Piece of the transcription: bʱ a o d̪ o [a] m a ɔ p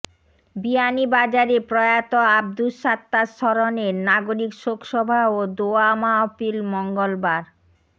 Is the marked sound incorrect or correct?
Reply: correct